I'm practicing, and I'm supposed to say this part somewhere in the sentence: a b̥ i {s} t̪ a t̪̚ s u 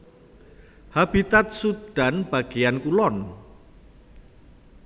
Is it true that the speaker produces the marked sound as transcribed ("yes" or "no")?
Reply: no